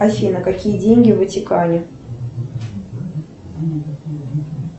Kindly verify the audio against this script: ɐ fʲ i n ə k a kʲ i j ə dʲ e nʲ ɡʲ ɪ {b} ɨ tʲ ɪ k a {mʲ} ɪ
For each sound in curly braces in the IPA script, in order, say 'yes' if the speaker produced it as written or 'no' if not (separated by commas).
no, no